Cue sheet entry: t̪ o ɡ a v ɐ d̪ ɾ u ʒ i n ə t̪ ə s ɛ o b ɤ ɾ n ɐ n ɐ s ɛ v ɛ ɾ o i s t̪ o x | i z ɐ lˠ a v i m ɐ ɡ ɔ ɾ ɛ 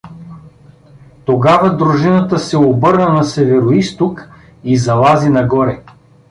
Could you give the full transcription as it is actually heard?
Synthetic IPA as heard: t̪ o ɡ a v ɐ d̪ ɾ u ʒ i n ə t̪ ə s ɛ o b ɤ ɾ n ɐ n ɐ s ɛ v ɛ ɾ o i s t̪ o k | i z ɐ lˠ a z i n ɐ ɡ ɔ ɾ ɛ